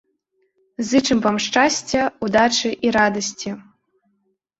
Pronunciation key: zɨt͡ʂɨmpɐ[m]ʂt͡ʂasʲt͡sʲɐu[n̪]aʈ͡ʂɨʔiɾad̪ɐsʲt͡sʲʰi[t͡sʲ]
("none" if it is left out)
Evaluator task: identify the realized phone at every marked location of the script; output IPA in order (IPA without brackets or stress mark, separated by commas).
m, d̪, none